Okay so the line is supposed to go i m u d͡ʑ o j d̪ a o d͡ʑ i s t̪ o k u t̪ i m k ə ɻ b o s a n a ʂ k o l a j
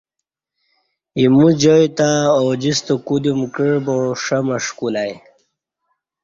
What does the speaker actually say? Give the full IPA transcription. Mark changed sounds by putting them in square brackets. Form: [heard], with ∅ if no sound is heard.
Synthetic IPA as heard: i m u d͡ʑ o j [t̪] a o d͡ʑ i s t̪ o k u [d̪] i m k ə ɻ b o [ʂ] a [m] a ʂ k [u] l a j